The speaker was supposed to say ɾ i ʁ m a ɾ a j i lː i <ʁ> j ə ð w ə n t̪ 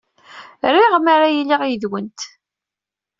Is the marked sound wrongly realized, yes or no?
no